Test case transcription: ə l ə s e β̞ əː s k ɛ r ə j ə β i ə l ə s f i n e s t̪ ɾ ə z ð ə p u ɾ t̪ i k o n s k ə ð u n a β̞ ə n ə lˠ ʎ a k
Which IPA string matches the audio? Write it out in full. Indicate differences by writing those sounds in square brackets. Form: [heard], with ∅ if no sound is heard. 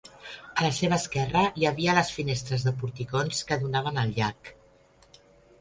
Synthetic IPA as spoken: ə l ə s e β̞ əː s k ɛ r ə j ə β i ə l ə s f i n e s t̪ ɾ ə z ð ə p u ɾ t̪ i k o n s k ə ð u n a β̞ ə n ə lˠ ʎ a k